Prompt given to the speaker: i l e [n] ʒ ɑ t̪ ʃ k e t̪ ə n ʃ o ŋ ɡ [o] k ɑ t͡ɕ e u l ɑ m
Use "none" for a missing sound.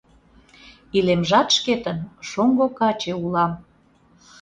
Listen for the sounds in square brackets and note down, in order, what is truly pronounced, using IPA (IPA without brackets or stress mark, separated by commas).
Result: m, o